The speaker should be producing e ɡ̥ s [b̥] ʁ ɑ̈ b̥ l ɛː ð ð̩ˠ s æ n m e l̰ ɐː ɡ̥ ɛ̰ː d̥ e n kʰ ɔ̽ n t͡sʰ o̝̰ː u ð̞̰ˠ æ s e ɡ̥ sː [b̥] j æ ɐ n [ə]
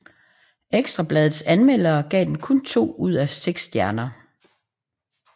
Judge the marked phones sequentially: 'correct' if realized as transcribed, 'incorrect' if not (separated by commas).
incorrect, incorrect, incorrect